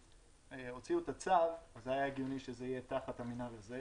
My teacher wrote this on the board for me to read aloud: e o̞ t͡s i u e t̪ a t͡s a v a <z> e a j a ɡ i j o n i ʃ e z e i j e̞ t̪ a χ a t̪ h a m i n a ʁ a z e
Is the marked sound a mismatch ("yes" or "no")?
no